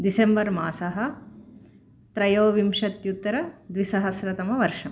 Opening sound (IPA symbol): d̪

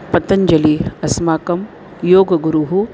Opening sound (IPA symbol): p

